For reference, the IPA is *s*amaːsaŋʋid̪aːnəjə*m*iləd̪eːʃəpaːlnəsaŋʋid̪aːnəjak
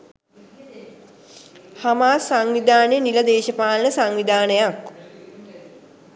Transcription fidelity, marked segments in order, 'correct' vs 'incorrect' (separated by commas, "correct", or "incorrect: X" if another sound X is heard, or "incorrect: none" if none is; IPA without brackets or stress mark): incorrect: h, incorrect: n